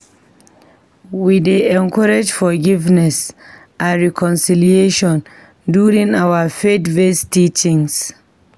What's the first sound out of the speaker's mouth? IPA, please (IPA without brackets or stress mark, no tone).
w